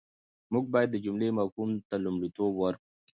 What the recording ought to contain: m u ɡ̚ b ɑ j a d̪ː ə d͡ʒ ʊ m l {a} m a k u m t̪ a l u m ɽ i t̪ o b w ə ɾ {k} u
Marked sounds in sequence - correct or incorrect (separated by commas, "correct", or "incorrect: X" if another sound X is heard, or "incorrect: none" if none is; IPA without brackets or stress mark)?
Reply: incorrect: e, correct